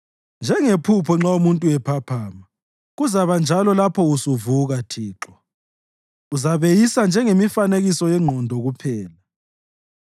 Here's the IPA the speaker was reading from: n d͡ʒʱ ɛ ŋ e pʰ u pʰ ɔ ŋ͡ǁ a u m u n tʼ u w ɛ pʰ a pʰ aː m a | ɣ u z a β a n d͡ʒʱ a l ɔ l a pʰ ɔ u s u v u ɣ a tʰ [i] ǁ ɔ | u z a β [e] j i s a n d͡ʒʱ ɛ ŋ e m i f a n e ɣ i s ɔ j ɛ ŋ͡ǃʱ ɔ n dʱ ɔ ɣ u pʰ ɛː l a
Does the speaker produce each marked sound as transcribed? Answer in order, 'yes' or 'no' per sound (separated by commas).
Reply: no, yes